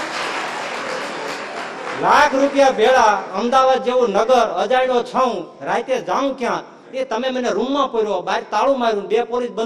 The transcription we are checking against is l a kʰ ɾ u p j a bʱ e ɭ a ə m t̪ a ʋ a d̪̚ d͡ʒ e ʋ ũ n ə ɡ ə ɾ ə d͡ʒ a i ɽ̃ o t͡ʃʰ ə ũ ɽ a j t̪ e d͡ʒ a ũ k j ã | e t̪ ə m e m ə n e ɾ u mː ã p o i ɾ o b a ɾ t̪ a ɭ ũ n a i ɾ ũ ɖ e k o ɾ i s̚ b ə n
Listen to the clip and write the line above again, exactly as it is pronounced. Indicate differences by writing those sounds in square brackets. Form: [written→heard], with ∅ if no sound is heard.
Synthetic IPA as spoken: l a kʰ ɾ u p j a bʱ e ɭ a ə m [t̪→d̪] a ʋ a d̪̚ d͡ʒ e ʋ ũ n ə ɡ ə ɾ ə d͡ʒ a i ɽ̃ o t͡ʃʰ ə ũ [ɽ→ɾ] a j t̪ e d͡ʒ a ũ k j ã | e t̪ ə m e m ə n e ɾ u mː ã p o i ɾ o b a ɾ t̪ a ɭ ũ [n→m] a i ɾ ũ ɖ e [k→p] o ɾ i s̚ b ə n